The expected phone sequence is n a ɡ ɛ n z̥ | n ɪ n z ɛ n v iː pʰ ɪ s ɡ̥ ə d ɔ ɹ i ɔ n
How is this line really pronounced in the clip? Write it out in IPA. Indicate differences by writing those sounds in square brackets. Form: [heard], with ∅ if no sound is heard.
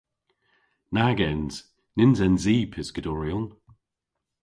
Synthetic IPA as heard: n a ɡ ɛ n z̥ | n ɪ n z ɛ n [z] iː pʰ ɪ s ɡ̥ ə d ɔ ɹ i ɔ n